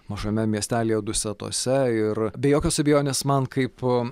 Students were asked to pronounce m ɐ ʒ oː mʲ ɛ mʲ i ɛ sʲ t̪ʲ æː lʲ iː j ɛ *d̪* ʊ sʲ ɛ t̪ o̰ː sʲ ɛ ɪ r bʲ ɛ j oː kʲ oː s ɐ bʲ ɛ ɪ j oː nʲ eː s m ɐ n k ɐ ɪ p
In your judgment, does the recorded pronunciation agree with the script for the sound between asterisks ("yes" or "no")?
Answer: yes